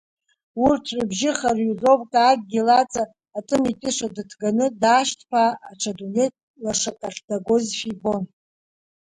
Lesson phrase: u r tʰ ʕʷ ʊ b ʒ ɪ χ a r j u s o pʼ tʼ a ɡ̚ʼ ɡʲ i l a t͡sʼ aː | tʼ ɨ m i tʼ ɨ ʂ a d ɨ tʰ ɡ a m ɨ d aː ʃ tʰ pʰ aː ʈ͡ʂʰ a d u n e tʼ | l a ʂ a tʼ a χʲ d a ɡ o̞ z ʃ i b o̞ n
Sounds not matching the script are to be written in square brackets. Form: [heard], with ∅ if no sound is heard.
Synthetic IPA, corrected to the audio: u r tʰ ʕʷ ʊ b ʒ ɪ χ a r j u [z] o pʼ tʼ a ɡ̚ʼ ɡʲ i l a t͡sʼ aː | tʼ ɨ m i tʼ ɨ ʂ a d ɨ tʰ ɡ a [n] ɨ d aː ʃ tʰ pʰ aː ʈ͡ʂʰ a d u n e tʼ | l a ʂ a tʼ a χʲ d a ɡ o̞ z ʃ i b o̞ n